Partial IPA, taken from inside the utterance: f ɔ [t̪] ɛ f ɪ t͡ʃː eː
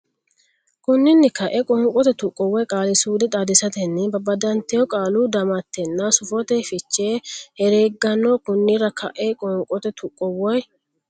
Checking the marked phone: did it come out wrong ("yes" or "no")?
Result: no